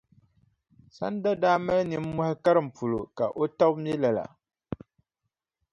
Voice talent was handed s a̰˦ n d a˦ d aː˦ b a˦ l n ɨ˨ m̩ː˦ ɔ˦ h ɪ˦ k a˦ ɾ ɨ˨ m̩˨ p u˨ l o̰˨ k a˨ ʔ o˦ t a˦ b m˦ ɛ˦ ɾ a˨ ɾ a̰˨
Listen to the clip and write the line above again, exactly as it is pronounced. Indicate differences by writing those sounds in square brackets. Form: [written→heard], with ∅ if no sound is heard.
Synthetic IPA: s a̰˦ n d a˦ d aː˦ [b→m] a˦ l n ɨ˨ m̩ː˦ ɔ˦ h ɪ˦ k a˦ ɾ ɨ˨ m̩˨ p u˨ l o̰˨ k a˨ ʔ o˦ t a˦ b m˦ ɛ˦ [ɾ→l] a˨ [ɾ→l] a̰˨